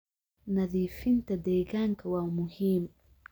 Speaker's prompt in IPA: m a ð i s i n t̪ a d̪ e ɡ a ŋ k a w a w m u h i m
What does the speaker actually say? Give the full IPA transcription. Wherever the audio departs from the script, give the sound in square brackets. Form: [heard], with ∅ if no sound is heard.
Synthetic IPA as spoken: [n] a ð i [f] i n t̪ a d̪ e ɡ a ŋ k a w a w m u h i m